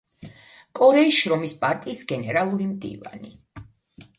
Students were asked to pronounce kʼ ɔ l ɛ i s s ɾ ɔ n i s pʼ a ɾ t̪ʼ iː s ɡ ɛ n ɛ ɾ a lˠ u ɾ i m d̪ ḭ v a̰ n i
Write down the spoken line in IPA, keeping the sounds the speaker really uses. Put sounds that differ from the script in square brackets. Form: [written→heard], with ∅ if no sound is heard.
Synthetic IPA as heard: kʼ ɔ [l→ɾ] ɛ i s [s→ʃ] ɾ ɔ [n→m] i s pʼ a ɾ t̪ʼ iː s ɡ ɛ n ɛ ɾ a lˠ u ɾ i m d̪ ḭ v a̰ n i